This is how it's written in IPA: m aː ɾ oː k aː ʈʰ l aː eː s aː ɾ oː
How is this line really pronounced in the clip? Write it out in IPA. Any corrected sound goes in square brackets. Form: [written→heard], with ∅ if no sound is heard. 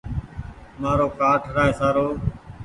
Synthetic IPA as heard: m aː ɾ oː k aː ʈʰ [l→ɾ] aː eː s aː ɾ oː